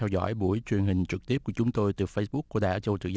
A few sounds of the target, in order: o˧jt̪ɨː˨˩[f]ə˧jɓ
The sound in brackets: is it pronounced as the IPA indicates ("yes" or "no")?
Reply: yes